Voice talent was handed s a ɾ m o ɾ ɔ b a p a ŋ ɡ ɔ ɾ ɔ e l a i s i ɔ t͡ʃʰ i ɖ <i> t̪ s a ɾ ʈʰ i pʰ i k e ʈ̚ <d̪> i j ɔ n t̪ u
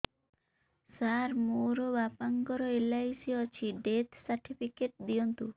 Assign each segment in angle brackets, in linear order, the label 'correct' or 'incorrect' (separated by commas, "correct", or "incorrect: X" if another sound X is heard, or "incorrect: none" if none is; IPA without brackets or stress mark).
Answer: incorrect: e, correct